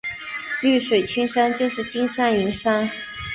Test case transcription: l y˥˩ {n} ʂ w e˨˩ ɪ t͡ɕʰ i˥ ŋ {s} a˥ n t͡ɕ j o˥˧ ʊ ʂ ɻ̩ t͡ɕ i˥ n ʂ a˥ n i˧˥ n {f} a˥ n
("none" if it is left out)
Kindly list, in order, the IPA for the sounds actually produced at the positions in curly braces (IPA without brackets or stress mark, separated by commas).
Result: none, ʂ, ʂ